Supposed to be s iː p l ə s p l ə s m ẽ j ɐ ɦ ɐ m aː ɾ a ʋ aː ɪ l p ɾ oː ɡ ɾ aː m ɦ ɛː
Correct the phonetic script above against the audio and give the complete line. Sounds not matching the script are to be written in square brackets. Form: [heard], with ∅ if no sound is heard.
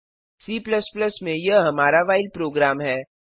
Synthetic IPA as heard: s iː p l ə s p l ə s m ẽ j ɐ ɦ ɐ m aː ɾ a ʋ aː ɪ l p ɾ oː ɡ ɾ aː m ɦ ɛː